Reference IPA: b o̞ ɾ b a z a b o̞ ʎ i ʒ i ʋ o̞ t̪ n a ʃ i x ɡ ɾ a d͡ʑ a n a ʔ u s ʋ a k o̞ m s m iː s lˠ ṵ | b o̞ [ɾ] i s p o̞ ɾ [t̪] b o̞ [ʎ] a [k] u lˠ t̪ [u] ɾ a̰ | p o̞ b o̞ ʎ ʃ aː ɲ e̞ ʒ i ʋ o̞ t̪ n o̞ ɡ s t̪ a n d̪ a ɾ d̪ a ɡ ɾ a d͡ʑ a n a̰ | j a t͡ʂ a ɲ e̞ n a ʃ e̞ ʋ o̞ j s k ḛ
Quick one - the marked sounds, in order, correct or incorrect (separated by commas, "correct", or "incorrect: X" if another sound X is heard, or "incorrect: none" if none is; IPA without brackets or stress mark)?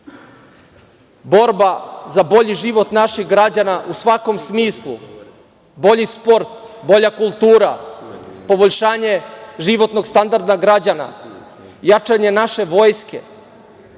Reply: incorrect: ʎ, correct, correct, correct, incorrect: uː